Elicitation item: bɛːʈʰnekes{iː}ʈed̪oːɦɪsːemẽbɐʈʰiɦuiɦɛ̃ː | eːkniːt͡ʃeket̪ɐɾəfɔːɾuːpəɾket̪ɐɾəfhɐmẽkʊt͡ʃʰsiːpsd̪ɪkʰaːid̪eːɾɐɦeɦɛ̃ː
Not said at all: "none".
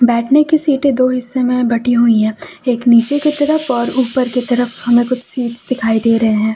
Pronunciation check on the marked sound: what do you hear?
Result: iː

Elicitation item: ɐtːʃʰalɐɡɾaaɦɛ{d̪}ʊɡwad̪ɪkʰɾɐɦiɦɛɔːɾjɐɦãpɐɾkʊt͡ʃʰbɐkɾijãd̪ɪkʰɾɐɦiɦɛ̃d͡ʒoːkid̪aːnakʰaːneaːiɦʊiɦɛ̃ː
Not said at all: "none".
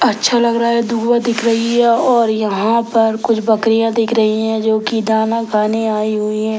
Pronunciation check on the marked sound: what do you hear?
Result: d̪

